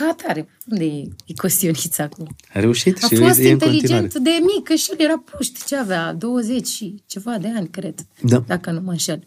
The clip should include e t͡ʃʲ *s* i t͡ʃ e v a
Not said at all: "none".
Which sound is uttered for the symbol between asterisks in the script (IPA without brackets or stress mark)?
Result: ʃ